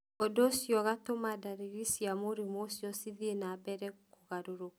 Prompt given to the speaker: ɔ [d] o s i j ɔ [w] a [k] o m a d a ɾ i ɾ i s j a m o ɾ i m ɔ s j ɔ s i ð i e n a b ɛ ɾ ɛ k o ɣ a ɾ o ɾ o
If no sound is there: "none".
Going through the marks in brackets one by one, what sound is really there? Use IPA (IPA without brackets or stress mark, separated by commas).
d, ɣ, t